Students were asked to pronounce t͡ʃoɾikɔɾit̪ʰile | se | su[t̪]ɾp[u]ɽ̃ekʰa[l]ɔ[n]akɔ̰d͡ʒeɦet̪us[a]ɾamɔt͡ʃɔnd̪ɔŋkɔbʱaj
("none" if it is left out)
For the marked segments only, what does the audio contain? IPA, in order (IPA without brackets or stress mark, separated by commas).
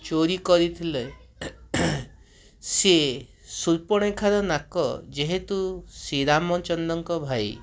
none, ɔ, ɾ, n, i